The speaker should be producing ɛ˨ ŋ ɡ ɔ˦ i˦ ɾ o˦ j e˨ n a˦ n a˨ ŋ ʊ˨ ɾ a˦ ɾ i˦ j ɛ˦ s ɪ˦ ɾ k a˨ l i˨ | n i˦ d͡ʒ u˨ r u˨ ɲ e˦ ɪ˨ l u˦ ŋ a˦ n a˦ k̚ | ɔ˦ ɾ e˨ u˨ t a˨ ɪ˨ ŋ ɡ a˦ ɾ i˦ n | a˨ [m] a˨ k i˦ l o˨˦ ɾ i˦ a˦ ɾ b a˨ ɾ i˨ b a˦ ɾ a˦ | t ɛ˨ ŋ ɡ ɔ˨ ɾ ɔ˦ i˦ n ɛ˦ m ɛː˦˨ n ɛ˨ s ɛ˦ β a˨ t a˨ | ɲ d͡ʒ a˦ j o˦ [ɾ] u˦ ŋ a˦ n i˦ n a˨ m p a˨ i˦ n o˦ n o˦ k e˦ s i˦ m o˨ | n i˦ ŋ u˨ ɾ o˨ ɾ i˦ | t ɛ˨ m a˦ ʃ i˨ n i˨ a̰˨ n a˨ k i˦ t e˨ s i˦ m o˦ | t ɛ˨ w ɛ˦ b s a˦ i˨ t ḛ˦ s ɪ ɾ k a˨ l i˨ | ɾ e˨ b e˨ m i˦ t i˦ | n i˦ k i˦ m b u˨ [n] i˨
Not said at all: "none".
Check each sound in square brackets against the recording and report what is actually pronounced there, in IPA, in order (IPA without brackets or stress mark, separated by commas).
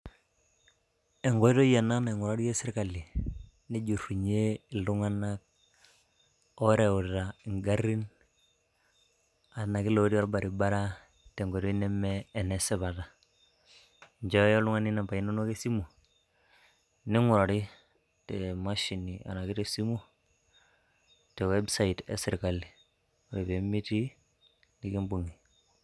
n, l, ŋ